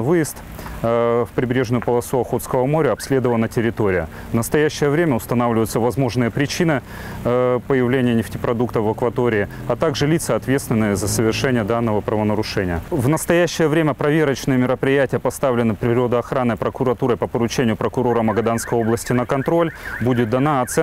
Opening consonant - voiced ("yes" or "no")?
yes